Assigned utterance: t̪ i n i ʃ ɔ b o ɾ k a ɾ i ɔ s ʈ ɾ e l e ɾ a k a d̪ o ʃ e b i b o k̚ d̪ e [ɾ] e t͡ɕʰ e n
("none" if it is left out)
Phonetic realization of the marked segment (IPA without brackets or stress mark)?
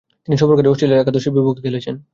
l